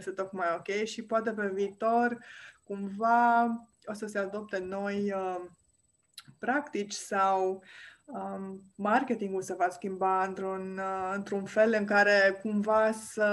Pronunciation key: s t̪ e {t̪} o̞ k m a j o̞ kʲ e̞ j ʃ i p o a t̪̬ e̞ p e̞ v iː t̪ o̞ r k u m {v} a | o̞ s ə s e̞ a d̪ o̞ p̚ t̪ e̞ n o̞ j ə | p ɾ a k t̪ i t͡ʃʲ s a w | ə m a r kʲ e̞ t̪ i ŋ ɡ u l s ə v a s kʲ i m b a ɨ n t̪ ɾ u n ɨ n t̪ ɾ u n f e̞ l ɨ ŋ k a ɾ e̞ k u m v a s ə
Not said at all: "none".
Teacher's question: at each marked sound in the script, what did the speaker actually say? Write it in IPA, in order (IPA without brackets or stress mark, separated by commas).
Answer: t̪, v